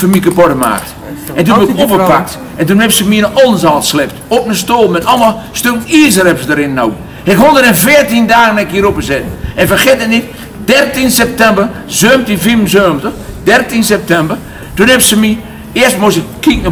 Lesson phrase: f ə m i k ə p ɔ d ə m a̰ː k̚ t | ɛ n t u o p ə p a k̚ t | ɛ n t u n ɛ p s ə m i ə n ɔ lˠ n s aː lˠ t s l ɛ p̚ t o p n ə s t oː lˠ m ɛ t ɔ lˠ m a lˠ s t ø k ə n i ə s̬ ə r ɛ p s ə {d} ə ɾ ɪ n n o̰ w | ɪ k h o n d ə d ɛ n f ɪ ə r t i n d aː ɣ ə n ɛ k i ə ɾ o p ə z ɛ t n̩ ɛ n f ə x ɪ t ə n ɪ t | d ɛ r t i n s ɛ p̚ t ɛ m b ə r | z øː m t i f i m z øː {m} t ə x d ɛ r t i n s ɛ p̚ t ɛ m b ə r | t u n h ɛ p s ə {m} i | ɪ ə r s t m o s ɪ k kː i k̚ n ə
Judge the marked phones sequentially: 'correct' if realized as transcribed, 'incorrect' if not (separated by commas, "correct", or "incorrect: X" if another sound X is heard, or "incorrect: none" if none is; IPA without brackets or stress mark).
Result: correct, correct, correct